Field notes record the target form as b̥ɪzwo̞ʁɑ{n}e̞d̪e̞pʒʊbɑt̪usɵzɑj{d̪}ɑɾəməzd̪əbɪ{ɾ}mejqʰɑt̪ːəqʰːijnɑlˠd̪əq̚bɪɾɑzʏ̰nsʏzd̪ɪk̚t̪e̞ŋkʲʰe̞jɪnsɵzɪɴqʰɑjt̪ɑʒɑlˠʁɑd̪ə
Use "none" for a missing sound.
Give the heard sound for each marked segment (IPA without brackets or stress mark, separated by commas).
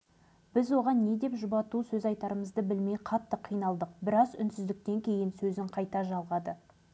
nː, t̪, l